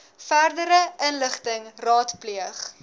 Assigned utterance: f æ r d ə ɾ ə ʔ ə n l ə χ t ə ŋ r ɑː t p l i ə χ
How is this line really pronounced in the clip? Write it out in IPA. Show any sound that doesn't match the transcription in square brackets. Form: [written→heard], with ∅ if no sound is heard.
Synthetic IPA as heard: f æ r d ə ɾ ə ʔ ə n l ə χ t ə ŋ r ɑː t p l i ə χ